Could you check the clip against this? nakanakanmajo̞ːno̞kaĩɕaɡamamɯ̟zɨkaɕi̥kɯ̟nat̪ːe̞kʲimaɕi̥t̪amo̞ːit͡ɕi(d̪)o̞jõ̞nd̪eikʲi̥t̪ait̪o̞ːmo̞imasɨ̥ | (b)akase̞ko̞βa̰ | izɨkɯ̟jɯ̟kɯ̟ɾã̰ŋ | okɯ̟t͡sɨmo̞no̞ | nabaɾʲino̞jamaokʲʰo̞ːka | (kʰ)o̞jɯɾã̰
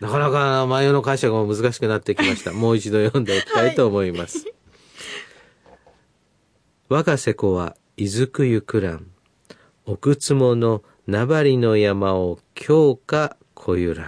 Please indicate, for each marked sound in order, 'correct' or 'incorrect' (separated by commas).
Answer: correct, incorrect, correct